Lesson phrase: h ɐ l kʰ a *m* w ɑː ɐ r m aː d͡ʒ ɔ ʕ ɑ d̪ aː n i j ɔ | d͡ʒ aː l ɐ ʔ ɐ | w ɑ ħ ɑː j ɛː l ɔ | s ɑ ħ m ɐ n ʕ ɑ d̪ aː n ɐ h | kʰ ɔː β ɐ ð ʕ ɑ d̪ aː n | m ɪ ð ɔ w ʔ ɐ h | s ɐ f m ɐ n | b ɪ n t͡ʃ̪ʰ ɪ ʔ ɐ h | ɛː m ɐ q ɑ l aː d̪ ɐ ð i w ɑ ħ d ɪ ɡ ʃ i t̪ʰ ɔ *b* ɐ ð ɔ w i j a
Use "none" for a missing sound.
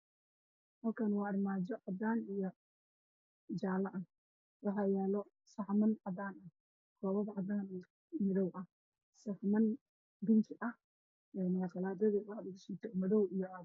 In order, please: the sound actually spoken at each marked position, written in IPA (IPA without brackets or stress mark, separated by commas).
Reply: n, m